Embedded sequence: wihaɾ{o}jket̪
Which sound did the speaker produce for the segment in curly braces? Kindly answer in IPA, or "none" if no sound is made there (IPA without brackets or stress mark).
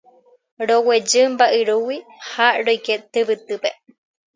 o